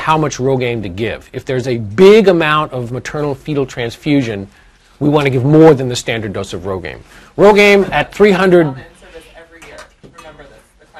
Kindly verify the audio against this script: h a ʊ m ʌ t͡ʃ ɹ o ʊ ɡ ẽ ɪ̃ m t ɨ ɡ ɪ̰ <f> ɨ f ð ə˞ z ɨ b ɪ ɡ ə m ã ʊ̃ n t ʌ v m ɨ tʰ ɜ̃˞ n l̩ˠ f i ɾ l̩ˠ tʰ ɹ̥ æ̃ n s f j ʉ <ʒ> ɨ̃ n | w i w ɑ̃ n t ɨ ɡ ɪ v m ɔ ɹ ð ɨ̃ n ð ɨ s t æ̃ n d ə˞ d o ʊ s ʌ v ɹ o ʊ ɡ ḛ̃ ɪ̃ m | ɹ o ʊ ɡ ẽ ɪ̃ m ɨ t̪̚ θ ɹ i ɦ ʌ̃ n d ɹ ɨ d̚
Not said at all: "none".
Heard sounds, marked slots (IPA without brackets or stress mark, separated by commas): v, ʒ